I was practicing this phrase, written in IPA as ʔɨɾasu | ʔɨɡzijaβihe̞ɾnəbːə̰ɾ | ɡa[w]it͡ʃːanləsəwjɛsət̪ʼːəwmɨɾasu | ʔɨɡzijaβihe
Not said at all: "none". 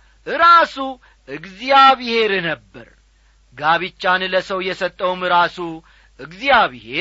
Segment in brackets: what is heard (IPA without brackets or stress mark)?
β